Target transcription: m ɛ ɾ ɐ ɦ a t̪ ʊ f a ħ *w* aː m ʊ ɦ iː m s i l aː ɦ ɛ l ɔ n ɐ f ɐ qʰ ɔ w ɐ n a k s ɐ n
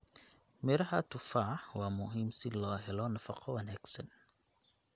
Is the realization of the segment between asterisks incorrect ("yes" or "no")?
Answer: no